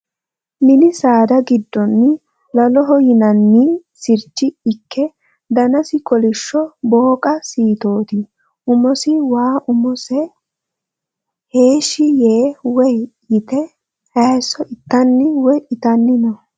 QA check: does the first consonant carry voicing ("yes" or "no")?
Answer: yes